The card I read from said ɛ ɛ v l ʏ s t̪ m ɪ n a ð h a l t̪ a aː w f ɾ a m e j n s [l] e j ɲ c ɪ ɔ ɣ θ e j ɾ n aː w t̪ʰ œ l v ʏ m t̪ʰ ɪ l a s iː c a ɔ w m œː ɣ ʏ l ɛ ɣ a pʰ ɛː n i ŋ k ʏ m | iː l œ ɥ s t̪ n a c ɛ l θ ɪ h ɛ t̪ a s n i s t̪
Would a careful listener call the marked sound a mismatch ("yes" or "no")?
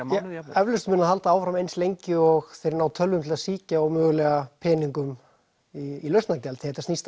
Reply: no